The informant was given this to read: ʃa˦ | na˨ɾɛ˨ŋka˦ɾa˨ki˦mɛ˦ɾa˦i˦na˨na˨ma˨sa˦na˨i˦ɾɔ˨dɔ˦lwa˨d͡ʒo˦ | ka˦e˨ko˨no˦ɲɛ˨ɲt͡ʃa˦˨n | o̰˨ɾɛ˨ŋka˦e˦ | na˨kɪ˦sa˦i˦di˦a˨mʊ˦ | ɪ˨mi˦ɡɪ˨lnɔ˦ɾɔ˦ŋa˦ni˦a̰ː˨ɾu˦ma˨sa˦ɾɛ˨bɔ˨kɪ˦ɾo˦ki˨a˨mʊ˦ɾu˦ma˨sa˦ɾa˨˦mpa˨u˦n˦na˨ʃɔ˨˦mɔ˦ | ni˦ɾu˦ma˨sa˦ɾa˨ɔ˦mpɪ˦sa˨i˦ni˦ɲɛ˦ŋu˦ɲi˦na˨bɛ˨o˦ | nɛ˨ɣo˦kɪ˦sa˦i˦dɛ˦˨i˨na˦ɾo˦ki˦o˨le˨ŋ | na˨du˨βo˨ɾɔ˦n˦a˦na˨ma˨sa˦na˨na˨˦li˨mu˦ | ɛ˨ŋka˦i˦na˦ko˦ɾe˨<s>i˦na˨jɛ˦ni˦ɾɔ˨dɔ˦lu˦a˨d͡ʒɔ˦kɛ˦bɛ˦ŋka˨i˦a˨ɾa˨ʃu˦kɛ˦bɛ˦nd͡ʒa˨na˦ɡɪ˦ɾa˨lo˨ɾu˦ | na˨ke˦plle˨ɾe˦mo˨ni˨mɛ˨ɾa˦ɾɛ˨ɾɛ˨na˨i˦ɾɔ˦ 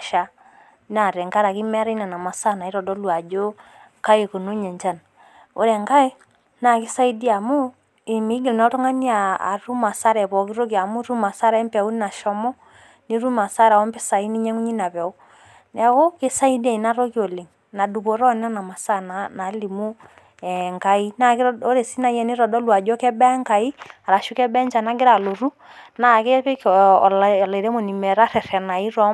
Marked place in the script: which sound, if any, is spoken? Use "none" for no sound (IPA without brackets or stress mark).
s